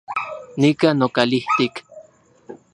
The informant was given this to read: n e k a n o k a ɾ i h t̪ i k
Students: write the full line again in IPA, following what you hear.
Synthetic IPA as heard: n i k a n o k a l i h t̪ i k